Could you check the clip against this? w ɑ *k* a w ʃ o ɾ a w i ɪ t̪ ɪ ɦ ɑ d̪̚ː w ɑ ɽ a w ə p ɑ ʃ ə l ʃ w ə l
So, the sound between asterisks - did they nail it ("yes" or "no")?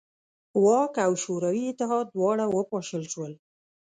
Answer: yes